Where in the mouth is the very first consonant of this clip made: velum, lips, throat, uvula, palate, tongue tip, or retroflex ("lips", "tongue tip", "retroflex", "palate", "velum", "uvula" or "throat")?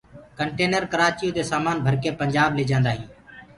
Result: velum